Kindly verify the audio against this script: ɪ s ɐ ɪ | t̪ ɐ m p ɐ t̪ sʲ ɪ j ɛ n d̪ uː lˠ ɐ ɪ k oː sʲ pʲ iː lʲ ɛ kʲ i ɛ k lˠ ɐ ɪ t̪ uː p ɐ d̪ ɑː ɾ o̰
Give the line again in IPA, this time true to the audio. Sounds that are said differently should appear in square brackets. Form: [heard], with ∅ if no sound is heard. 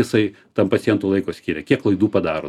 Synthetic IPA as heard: ɪ s ɐ ɪ | t̪ ɐ m p ɐ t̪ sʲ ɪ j ɛ n [t̪] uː lˠ ɐ ɪ k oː sʲ [kʲ] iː [ɾʲ] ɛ kʲ i ɛ k lˠ ɐ ɪ [d̪] uː p ɐ d̪ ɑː ɾ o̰